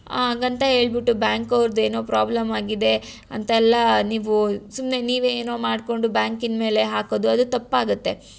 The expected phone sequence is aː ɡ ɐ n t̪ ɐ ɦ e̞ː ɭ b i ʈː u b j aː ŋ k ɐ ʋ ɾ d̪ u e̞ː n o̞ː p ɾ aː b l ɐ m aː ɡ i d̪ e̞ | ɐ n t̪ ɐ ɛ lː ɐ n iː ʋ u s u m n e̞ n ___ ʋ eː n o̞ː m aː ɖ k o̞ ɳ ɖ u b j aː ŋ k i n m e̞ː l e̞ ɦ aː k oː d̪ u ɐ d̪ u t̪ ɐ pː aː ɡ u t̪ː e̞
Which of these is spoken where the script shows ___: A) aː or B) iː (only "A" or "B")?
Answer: B